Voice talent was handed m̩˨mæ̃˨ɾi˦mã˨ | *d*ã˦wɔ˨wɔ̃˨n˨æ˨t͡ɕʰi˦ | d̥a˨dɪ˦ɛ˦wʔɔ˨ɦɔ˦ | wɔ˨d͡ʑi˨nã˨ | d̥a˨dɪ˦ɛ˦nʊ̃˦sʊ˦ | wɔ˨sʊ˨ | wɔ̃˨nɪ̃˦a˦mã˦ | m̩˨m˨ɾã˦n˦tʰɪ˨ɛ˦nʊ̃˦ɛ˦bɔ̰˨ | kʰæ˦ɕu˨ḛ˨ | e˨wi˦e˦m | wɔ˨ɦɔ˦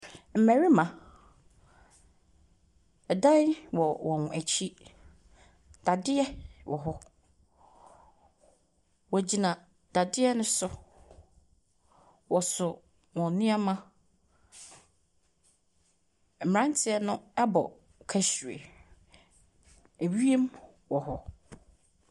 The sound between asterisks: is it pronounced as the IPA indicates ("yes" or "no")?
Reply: yes